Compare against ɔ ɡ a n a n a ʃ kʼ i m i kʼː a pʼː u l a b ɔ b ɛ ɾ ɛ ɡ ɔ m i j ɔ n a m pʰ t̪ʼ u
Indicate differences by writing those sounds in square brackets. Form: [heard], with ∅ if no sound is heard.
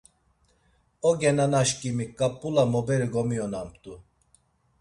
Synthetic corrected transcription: ɔ ɡ [ɛ] n a n a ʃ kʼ i m i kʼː a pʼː u l a [m] ɔ b ɛ ɾ [i] ɡ ɔ m i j ɔ n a m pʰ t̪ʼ u

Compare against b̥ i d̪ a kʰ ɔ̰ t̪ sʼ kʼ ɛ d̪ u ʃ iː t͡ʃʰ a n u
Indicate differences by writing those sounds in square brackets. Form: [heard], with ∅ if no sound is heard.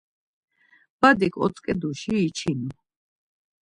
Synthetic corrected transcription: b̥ [a] d̪ [i] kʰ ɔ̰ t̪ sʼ kʼ ɛ d̪ u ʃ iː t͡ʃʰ [i] n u

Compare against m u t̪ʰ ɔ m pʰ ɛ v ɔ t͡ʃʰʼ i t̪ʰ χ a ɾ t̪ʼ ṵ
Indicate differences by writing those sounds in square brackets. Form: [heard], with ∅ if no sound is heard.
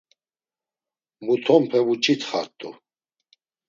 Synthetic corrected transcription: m u t̪ʰ ɔ m pʰ ɛ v [u] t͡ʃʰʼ i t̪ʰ χ a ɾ t̪ʼ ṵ

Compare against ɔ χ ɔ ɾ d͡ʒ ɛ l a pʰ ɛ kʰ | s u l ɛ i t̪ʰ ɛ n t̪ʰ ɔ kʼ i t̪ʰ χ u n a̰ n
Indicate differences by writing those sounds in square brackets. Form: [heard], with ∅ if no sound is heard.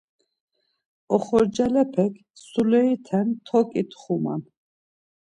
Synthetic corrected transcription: ɔ χ ɔ ɾ d͡ʒ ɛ l [ɛ] pʰ ɛ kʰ | s u l ɛ i t̪ʰ ɛ n t̪ʰ ɔ kʼ i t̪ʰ χ u [m] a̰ n

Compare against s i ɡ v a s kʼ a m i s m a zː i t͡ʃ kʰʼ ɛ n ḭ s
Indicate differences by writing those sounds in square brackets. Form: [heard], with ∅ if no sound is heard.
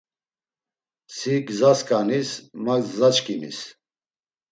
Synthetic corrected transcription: s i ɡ [z] a s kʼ a [n] i s m a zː [a] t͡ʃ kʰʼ [i] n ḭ s

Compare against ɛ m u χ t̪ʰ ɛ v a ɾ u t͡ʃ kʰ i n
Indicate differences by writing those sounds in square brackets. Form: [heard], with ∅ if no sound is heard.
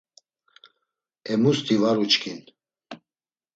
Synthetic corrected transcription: ɛ m u [s] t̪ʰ [i] v a ɾ u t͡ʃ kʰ i n

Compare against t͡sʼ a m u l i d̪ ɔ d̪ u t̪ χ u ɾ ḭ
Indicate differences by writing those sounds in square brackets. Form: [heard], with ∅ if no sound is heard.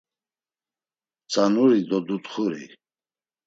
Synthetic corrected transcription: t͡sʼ a [n] u [ɾ] i d̪ ɔ d̪ u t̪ χ u ɾ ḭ

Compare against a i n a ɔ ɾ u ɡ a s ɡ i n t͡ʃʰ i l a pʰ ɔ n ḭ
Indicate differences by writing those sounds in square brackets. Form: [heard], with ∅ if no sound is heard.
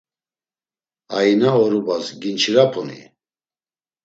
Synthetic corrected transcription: a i n a ɔ ɾ u [b] a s ɡ i n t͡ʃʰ i [ɾ] a pʰ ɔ n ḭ

